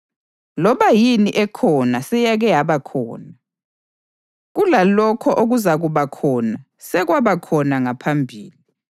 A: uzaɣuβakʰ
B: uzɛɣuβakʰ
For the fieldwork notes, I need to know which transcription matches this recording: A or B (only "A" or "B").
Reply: A